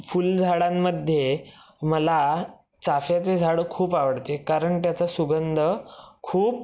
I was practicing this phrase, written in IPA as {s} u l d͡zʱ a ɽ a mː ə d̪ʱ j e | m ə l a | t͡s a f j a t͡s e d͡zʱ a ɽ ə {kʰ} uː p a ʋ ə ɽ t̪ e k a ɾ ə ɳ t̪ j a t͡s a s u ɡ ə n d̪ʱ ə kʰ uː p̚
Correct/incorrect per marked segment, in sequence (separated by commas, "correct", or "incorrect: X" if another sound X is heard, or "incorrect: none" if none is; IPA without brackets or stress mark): incorrect: f, correct